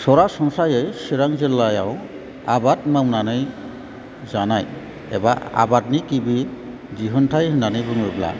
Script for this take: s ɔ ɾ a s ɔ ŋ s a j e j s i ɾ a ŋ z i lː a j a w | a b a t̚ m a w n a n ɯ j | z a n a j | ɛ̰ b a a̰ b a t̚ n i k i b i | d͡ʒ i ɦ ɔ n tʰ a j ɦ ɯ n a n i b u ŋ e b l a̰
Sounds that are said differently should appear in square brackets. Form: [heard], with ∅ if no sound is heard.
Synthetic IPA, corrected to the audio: s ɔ ɾ a s ɔ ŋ s a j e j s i ɾ a ŋ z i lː a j a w | a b a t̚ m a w n a n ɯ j | z a n a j | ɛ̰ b a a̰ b a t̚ n i k i b i | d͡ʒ i ɦ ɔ n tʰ a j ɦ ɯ n a n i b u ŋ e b l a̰